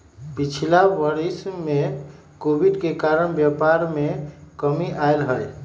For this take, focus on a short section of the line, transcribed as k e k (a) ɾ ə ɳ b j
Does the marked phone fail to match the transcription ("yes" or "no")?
no